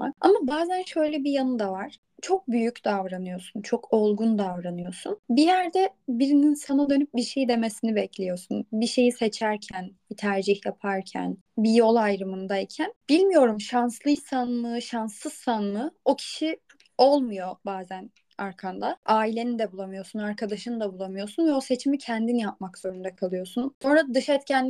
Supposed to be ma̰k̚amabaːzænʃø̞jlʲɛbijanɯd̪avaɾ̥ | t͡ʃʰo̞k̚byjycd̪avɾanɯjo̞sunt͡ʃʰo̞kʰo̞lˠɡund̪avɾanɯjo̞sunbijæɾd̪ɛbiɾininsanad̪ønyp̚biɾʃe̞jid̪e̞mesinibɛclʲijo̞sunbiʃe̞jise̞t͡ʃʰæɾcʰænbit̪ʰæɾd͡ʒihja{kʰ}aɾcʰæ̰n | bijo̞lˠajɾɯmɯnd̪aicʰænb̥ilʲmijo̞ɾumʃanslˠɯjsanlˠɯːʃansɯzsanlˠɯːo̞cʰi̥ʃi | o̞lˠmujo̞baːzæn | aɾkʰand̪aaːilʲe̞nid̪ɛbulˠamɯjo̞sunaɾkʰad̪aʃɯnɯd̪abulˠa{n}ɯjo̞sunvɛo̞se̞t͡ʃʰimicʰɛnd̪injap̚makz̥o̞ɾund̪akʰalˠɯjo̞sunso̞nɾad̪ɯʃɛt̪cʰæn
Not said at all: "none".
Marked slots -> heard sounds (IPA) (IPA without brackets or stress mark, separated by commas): pʰ, m